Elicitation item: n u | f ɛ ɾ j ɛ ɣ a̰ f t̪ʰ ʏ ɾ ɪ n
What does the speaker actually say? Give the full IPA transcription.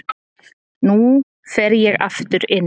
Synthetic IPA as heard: n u | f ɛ ɾ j ɛ ɣ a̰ f t̪ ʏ ɾ ɪ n

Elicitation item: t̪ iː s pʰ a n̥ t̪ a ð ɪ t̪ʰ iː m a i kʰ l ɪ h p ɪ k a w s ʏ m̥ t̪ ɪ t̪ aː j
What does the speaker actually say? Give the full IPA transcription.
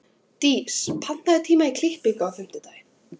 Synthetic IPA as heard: t̪ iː s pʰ a n̥ t̪ a ð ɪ t̪ʰ iː m a i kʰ l ɪ h p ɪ k a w θ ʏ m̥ t̪ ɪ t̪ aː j

